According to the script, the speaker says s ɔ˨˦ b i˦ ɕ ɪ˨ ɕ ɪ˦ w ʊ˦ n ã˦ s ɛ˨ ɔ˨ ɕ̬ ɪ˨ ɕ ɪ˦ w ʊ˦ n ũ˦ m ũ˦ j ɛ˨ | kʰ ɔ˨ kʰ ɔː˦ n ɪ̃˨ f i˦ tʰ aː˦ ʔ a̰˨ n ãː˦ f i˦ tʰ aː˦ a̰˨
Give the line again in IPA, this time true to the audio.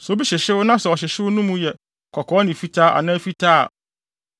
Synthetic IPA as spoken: s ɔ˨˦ b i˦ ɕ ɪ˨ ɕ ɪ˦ w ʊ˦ n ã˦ s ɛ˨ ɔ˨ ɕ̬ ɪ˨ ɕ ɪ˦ w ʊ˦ n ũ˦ m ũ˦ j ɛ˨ | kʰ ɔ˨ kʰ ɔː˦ n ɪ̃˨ f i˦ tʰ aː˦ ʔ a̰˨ n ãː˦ f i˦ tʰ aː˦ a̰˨